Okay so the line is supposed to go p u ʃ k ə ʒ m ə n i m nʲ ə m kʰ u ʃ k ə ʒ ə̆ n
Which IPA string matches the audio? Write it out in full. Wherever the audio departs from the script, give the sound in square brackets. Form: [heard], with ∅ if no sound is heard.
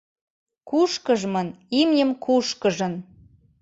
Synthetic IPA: [k] u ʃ k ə ʒ m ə n i m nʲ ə m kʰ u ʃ k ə ʒ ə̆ n